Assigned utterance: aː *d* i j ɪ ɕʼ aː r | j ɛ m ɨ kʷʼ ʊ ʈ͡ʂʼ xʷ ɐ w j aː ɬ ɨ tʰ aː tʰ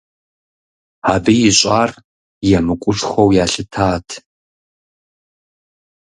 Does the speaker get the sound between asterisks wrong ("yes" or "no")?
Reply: yes